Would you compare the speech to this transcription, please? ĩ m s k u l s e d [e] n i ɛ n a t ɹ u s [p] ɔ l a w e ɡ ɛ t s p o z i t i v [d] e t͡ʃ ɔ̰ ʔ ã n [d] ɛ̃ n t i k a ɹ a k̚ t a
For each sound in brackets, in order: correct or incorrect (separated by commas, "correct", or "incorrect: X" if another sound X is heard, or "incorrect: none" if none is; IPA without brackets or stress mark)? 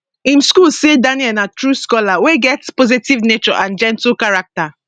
incorrect: a, incorrect: k, incorrect: n, incorrect: d͡ʒ